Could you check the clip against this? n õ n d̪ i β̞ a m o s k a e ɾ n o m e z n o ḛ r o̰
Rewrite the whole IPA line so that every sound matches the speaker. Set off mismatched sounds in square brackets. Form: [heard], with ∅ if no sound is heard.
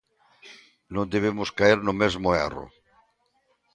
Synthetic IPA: n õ n d̪ [e] β̞ [e] m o s k a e ɾ n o m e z [m] o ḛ r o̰